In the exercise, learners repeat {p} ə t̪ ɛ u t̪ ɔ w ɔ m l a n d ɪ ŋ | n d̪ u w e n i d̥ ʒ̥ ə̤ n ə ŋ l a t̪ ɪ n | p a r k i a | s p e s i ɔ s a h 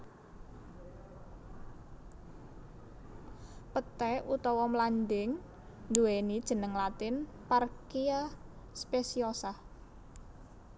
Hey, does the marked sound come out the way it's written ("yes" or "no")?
yes